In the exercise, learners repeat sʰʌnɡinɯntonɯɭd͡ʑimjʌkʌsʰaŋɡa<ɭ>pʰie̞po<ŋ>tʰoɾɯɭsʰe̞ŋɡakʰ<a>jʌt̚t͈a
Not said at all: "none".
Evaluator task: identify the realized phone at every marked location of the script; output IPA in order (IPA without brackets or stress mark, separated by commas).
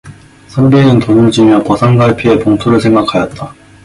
ɭ, ŋ, a